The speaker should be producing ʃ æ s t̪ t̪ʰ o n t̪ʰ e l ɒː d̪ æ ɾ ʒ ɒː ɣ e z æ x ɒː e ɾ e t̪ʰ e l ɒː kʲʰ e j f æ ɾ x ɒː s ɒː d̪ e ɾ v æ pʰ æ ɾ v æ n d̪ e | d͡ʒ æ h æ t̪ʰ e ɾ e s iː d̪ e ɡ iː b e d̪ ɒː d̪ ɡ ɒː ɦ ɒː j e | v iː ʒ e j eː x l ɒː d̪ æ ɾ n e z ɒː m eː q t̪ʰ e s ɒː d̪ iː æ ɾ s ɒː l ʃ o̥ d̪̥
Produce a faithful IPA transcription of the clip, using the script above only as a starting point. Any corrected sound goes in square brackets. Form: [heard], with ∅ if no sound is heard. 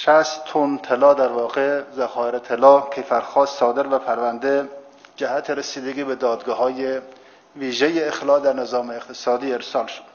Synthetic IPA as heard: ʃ æ s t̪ t̪ʰ o n t̪ʰ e l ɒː d̪ æ ɾ [v] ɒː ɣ e z æ x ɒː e ɾ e t̪ʰ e l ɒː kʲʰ e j f æ ɾ x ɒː s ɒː d̪ e ɾ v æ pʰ æ ɾ v æ n d̪ e | d͡ʒ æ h æ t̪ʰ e ɾ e s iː d̪ e ɡ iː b e d̪ ɒː d̪ ɡ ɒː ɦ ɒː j e | v iː ʒ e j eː x l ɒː d̪ æ ɾ n e z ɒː m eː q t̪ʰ e s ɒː d̪ iː [e] ɾ s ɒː l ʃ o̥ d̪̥